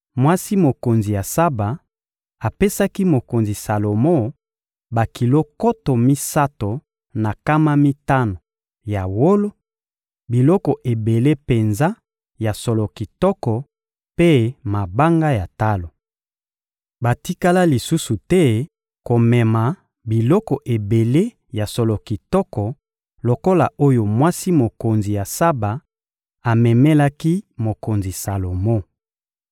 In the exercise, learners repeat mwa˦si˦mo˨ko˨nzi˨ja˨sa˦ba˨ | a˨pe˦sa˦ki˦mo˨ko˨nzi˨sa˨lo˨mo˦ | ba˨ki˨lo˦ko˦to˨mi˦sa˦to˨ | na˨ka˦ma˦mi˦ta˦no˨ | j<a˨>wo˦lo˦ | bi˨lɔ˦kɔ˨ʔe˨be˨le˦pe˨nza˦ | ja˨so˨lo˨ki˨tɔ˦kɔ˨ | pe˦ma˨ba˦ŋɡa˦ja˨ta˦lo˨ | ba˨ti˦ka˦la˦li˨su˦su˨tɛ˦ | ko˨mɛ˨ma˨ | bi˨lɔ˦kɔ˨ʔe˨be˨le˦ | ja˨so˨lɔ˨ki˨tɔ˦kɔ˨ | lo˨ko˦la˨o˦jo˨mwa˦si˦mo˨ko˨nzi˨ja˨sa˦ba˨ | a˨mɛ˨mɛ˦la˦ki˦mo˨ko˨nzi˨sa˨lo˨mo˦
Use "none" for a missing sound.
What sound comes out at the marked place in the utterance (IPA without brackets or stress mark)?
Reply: a˨